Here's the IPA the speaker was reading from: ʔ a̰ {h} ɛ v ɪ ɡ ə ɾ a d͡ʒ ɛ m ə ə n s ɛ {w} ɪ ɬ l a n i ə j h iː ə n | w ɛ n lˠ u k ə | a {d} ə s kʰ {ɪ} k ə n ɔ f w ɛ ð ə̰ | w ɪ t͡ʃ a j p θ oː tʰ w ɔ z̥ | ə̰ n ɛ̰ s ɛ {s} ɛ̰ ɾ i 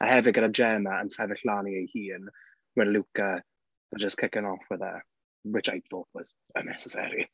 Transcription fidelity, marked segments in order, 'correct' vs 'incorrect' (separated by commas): correct, incorrect, incorrect, correct, correct